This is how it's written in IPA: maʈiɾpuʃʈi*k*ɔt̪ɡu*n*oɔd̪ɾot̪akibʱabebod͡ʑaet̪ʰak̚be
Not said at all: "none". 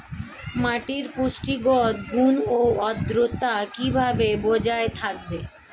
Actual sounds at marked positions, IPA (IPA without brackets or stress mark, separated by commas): ɡ, n